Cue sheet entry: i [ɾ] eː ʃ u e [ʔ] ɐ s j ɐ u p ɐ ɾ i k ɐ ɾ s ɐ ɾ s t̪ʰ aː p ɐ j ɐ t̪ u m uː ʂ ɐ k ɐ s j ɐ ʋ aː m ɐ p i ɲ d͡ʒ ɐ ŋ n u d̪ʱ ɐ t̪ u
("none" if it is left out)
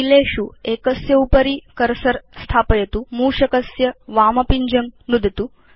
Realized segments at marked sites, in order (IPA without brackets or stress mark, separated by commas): l, k